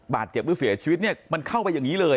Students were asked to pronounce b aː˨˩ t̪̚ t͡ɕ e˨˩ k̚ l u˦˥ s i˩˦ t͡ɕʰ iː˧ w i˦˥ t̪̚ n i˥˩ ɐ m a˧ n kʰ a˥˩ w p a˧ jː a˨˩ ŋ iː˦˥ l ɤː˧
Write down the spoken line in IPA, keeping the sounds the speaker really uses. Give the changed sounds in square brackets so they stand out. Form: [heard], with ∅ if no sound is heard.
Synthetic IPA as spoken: b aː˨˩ t̪̚ t͡ɕ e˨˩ [p̚] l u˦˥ s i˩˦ t͡ɕʰ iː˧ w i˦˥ t̪̚ n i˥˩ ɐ m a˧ n kʰ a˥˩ w p a˧ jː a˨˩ ŋ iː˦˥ l ɤː˧

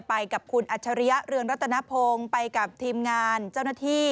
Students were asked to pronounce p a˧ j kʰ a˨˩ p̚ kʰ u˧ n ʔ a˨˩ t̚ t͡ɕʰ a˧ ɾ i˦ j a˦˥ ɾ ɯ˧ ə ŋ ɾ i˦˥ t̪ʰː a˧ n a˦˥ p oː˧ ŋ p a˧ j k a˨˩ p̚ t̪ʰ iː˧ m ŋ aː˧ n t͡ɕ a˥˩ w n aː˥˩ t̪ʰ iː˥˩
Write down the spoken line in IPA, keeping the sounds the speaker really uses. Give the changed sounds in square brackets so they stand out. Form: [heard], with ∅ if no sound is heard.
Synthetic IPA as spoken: p a˧ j [k] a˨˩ p̚ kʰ u˧ n ʔ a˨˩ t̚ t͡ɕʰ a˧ ɾ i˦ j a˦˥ ɾ ɯ˧ ə ŋ ɾ [a˦˥] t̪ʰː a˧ n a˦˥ [pʰ] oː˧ ŋ p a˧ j k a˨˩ p̚ t̪ʰ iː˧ m ŋ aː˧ n t͡ɕ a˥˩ w n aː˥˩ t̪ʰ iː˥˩

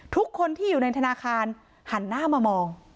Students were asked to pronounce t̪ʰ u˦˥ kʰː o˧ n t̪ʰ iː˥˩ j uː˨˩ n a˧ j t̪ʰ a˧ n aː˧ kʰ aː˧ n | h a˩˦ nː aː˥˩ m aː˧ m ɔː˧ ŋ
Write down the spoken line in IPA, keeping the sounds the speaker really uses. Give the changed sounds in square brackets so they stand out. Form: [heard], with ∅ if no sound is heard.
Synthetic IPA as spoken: t̪ʰ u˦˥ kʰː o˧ n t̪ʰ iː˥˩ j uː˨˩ n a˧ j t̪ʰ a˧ n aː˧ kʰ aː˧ n | h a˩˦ nː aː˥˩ m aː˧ m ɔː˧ ŋ

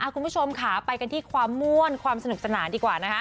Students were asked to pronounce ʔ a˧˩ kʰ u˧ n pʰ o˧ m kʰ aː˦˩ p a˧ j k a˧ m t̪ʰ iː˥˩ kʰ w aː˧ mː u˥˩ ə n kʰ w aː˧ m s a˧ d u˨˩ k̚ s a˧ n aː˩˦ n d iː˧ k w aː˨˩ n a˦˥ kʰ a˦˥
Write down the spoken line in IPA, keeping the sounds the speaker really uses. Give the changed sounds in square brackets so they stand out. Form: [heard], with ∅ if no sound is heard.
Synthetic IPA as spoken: ʔ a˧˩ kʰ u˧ n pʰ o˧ m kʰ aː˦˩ p a˧ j k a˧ [n] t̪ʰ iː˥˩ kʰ w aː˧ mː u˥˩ ə n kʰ w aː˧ m s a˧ [n] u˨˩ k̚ s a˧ n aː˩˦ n d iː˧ k w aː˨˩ n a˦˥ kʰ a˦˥

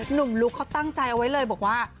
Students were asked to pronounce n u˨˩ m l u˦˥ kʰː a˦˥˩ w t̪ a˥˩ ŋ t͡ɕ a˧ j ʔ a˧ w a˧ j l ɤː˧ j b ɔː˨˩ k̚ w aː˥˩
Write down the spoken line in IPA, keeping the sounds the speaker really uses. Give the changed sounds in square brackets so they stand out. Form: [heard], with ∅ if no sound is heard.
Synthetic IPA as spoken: n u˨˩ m l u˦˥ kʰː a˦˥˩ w t̪ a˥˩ ŋ t͡ɕ a˧ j ʔ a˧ w [a˦˥] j l ɤː˧ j b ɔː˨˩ k̚ w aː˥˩

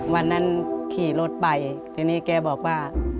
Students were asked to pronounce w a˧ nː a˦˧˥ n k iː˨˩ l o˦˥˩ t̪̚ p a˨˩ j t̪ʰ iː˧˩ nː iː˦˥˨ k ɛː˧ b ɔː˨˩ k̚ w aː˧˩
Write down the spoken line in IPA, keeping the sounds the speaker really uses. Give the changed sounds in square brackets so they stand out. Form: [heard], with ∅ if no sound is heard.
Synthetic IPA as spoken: w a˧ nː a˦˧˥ n [kʰ] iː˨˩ l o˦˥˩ t̪̚ p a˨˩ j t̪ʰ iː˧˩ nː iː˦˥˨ k ɛː˧ b ɔː˨˩ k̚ w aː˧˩

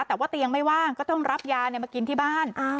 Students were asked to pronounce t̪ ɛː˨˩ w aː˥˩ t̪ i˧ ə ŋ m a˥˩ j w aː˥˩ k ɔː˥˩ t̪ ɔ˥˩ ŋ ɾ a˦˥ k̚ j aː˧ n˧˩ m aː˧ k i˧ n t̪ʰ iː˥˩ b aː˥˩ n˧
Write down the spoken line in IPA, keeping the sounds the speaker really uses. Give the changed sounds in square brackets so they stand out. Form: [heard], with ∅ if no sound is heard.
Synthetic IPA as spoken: t̪ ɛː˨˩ w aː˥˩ t̪ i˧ ə ŋ m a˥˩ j w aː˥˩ k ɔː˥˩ t̪ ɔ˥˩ ŋ ɾ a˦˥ [p̚] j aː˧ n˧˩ m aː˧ k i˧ n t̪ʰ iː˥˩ b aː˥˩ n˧

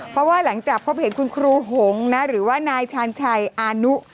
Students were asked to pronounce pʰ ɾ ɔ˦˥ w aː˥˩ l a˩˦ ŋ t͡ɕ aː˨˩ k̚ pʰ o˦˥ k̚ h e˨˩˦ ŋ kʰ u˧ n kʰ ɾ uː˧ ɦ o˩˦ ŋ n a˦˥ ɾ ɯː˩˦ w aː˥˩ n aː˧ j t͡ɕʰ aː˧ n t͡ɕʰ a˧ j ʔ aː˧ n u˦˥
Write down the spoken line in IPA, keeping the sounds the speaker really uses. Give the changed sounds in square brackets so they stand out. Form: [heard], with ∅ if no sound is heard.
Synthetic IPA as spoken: pʰ ɾ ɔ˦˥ w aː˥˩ l a˩˦ ŋ t͡ɕ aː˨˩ k̚ pʰ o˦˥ [p̚] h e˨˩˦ [n] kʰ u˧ n kʰ ɾ uː˧ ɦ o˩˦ ŋ n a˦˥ ɾ ɯː˩˦ w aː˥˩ n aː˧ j t͡ɕʰ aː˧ n t͡ɕʰ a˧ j ʔ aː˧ n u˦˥

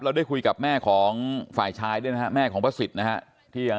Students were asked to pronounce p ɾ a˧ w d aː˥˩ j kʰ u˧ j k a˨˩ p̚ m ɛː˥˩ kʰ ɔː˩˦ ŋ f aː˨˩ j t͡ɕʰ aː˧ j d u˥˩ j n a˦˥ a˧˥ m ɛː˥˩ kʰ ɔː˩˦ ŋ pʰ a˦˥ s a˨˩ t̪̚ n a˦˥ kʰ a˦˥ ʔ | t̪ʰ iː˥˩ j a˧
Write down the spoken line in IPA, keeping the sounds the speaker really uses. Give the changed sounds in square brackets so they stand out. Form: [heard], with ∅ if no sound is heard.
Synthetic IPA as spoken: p ɾ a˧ w d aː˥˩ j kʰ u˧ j k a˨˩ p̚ m ɛː˥˩ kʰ ɔː˩˦ ŋ f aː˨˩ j t͡ɕʰ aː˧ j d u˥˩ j n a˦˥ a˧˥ m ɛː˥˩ kʰ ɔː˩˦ ŋ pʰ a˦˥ s [i˨˩] t̪̚ n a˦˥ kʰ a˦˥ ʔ | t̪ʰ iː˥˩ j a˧

